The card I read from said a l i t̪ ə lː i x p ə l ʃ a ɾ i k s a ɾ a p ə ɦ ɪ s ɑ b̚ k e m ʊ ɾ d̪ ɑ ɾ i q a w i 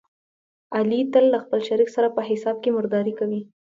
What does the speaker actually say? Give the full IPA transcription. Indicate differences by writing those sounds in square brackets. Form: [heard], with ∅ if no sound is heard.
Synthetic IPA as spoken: a l i t̪ ə lː [a] x p ə l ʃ a ɾ i k s a ɾ a p ə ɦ ɪ s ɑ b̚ k e m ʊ ɾ d̪ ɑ ɾ i [k] a w i